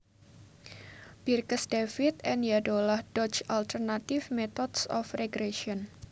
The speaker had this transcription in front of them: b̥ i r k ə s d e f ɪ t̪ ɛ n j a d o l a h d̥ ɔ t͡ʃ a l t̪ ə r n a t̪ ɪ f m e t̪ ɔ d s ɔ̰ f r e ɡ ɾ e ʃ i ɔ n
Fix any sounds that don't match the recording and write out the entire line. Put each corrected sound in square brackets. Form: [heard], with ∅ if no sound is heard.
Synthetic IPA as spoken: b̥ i r k ə s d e f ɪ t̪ ɛ n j a d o l a h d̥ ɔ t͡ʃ a l t̪ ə r n a t̪ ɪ f m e t̪ ɔ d s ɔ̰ f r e ɡ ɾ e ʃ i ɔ n